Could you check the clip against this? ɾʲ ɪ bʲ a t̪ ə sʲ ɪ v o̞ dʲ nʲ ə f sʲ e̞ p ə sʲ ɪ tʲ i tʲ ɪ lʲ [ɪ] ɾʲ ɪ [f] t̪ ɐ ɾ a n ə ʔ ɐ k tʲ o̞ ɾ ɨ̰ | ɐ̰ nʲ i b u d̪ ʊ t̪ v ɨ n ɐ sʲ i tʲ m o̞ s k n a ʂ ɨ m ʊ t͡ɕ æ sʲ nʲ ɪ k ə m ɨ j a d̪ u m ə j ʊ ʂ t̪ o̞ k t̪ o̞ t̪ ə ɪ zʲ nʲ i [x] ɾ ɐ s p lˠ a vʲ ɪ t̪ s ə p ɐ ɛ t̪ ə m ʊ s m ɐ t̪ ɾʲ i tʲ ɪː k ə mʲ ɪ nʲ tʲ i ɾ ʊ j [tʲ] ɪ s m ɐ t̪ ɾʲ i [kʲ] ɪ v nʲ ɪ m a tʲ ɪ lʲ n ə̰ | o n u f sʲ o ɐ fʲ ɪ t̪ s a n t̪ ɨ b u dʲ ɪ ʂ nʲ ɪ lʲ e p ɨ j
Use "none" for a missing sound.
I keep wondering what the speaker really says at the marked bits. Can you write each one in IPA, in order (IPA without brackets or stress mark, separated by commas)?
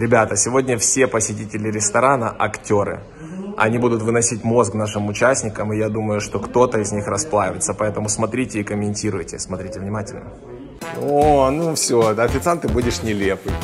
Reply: ɪ, s, x, tʲ, tʲ